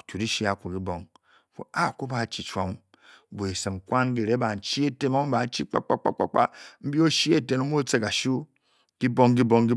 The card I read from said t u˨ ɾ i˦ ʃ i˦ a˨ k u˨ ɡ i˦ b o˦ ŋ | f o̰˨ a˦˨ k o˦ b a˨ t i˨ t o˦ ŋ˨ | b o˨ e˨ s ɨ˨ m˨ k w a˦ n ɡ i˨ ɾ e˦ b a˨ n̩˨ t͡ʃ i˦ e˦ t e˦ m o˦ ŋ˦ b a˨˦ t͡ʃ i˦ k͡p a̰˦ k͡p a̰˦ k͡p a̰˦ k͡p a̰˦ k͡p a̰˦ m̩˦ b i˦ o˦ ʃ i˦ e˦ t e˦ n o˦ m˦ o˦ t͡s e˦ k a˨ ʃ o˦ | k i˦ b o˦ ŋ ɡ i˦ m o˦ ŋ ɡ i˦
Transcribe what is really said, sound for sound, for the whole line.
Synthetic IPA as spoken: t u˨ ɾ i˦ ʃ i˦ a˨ k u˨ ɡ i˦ b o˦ ŋ | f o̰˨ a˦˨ k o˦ b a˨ t͡ʃ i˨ t͡ʃ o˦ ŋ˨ | b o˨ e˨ s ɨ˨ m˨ k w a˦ n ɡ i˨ ɾ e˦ b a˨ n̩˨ t͡ʃ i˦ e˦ t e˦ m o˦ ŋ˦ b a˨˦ t͡ʃ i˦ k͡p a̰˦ k͡p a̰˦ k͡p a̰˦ k͡p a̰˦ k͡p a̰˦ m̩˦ b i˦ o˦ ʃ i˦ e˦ t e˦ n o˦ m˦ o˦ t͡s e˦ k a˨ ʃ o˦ | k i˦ b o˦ ŋ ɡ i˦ b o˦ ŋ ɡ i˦

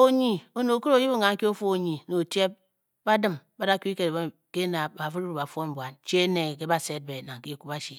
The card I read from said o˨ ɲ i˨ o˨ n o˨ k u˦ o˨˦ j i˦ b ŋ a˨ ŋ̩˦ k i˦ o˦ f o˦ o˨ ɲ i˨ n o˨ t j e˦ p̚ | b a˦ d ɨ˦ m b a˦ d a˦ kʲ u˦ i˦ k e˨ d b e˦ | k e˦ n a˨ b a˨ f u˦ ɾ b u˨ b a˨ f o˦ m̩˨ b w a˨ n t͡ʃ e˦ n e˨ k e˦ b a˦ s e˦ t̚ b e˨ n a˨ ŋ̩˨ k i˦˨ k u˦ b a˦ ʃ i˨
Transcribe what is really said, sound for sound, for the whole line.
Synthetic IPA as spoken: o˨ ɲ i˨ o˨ n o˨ k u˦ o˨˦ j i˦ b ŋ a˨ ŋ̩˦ k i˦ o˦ f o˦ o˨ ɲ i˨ n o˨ t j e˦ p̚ | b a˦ d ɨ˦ m b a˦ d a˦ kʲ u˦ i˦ k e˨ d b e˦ | k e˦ n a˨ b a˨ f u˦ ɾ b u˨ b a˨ f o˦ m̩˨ b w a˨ n t͡ʃ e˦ n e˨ k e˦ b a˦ s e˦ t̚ b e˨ n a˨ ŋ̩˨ k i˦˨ k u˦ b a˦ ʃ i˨

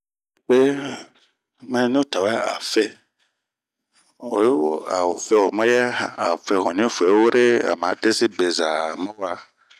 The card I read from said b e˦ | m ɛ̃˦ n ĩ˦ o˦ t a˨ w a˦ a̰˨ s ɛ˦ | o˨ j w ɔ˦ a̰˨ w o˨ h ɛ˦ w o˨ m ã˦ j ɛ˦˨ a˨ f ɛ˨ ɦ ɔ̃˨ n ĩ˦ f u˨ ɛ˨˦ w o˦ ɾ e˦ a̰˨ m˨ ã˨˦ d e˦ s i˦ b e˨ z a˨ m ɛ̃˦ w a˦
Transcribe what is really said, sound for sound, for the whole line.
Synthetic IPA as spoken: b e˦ | m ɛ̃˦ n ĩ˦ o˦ t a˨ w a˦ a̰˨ f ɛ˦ | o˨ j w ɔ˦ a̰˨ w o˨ f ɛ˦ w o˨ m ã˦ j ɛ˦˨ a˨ f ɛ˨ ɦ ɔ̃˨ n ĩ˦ f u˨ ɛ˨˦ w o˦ ɾ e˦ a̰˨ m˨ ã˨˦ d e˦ s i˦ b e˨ z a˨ m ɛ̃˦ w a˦

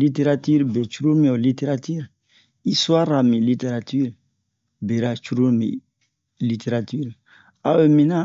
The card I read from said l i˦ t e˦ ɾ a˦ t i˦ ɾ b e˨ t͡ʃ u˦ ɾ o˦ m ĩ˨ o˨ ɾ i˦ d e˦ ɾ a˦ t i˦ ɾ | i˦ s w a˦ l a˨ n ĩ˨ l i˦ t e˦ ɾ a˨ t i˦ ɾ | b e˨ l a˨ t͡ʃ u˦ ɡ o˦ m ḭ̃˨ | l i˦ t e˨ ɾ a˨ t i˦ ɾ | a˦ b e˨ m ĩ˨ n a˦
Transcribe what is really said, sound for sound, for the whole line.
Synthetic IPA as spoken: l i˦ t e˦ ɾ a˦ t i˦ ɾ b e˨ t͡ʃ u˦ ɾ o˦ m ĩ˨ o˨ l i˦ t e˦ ɾ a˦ t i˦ ɾ | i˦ s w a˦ ɾ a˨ m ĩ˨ l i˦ t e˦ ɾ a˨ t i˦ ɾ | b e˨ ɾ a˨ t͡ʃ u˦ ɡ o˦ m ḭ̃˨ | l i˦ t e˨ ɾ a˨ t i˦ ɾ | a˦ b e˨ m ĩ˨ n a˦

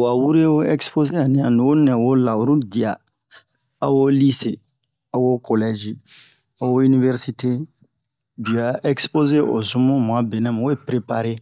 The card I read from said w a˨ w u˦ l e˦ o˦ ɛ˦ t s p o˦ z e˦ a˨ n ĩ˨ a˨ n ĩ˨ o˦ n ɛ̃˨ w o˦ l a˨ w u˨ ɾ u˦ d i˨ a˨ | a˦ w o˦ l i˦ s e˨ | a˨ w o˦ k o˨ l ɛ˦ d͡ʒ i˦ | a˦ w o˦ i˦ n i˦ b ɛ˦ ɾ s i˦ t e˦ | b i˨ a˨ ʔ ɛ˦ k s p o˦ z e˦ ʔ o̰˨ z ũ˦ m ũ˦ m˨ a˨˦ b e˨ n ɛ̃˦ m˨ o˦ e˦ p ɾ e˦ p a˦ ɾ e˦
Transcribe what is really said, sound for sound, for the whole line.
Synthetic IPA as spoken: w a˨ w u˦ ɾ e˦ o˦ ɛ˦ k s p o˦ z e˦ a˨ n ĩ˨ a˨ n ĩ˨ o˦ n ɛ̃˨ w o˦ l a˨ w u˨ ɾ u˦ d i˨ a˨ | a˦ w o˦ l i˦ s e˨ | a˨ w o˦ k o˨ l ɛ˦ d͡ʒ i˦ | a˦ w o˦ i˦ n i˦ v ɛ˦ ɾ s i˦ t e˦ | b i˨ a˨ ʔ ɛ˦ k s p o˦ z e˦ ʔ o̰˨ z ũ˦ m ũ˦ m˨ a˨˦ b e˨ n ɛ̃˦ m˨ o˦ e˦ p ɾ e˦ p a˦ ɾ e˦

